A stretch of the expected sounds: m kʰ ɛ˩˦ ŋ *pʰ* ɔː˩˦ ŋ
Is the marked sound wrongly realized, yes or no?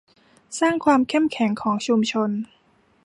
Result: yes